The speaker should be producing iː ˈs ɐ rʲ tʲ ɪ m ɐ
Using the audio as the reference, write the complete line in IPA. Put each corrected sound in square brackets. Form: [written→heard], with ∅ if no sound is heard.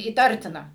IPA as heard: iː [ˈs→ˈt] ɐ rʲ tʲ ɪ [m→n] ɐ